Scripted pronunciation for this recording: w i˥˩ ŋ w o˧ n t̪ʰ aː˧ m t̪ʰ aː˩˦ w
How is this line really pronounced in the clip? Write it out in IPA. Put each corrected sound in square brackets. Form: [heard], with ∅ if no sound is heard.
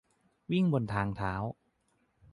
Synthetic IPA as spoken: w i˥˩ ŋ [b] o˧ n t̪ʰ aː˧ [ŋ] t̪ʰ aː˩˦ w